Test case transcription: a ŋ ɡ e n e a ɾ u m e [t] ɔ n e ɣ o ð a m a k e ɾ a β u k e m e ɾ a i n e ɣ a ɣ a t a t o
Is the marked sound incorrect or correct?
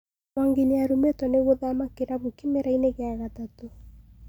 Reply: correct